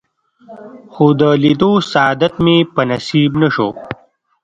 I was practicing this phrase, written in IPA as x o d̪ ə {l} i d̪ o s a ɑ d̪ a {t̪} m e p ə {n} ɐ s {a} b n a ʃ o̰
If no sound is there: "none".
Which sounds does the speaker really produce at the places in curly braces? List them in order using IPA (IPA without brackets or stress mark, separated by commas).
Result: l, t̪, n, i